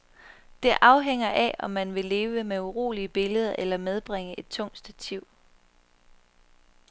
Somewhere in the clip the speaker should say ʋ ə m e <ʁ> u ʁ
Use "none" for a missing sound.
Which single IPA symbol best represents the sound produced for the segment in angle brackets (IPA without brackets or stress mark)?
none